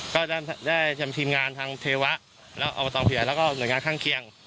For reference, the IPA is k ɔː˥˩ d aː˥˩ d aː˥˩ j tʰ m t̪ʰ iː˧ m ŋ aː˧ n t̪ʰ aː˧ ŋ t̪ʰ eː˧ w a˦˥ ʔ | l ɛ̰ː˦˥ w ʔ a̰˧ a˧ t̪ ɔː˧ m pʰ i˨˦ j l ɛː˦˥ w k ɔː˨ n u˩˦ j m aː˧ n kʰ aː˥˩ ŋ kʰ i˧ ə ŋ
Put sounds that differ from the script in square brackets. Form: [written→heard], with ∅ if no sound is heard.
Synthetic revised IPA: k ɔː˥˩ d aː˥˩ d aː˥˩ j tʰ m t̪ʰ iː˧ m ŋ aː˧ n t̪ʰ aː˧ ŋ t̪ʰ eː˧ w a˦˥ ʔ | l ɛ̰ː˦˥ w ʔ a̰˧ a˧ t̪ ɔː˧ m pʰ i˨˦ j l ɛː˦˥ w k [ɔː˨→ɔː˥˩] n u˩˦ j [m→ŋ] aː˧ n kʰ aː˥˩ ŋ kʰ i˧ ə ŋ